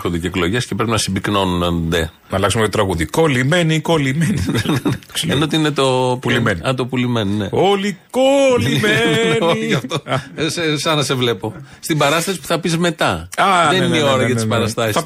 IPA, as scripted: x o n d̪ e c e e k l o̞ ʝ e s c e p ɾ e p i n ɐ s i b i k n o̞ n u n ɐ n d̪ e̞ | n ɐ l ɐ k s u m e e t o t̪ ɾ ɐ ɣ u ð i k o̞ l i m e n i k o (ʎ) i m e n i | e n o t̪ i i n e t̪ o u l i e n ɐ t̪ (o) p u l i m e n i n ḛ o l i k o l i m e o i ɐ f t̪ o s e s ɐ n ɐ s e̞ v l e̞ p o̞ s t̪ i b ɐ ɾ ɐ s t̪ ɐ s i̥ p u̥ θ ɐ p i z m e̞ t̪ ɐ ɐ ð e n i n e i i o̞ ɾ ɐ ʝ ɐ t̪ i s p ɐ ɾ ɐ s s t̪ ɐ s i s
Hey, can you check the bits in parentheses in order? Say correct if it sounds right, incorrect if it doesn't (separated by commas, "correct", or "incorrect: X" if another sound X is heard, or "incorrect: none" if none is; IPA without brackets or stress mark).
incorrect: l, correct